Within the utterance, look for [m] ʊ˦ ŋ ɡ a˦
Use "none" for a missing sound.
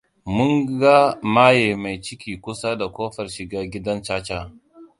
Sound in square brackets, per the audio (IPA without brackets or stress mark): m